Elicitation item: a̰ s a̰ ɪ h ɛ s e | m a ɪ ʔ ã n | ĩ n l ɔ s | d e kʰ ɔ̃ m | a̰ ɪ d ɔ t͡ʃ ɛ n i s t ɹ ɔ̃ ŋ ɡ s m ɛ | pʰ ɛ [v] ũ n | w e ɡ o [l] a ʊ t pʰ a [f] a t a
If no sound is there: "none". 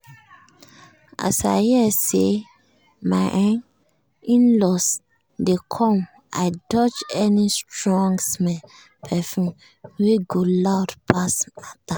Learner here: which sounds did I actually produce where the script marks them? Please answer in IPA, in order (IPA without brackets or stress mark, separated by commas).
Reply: f, l, s